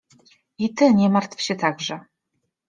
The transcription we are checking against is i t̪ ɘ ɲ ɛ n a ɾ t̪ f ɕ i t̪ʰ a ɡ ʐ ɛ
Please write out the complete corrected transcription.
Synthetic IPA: i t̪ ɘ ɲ ɛ m a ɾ t̪ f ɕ ɛ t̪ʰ a ɡ ʐ ɛ